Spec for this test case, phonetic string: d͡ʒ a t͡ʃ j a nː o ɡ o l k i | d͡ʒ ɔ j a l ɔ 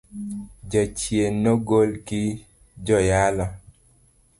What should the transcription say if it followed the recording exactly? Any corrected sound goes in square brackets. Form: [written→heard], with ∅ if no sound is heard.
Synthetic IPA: d͡ʒ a t͡ʃ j [a→e] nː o ɡ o l k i | d͡ʒ ɔ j a l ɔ